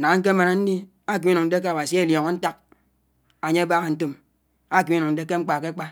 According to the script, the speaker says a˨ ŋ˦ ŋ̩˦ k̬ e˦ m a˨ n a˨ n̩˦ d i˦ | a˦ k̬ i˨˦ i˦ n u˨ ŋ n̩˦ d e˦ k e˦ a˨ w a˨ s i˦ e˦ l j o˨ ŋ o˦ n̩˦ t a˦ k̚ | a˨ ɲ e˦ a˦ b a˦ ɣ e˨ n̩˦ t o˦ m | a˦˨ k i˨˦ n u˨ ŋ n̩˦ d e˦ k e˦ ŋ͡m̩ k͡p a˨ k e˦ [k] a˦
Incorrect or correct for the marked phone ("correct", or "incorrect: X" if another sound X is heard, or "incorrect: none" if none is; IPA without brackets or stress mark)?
incorrect: k͡p